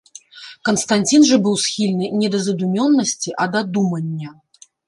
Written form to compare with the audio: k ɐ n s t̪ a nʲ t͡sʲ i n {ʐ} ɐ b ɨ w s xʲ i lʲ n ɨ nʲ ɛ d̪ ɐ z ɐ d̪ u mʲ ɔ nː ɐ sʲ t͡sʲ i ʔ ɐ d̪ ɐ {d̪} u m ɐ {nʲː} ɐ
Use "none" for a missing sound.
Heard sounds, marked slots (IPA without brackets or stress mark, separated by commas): ʐ, d̪, nʲː